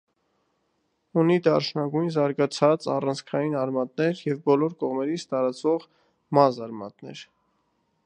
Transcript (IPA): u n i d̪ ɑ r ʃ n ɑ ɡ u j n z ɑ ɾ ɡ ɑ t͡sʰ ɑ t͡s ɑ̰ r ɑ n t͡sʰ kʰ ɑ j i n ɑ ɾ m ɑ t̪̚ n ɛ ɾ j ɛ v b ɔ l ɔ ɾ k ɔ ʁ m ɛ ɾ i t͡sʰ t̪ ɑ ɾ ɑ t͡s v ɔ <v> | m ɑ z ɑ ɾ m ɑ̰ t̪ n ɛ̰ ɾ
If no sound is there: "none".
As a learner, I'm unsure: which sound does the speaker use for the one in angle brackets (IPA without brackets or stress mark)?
ʁ